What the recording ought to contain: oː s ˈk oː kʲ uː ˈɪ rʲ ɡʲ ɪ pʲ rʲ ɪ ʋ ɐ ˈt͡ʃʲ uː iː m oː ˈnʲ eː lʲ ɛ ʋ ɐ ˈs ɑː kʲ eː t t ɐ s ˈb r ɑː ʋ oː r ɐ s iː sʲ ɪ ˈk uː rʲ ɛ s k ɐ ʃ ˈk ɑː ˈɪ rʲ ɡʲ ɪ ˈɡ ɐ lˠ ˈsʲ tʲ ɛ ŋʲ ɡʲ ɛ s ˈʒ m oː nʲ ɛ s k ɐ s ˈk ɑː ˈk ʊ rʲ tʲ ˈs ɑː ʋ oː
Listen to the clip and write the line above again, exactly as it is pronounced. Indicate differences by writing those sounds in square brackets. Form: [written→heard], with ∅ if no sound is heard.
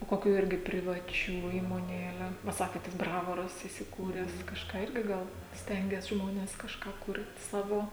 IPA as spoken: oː [s→∅] ˈk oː kʲ uː ˈɪ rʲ ɡʲ ɪ pʲ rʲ ɪ ʋ ɐ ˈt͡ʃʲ uː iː m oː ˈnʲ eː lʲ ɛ ʋ ɐ ˈs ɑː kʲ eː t t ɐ s ˈb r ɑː ʋ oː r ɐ s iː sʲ ɪ ˈk uː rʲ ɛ s k ɐ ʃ ˈk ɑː ˈɪ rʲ ɡʲ ɪ ˈɡ ɐ lˠ ˈsʲ tʲ ɛ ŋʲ ɡʲ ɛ s ˈʒ m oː nʲ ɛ s k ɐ [s→ʃ] ˈk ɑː ˈk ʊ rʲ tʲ ˈs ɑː ʋ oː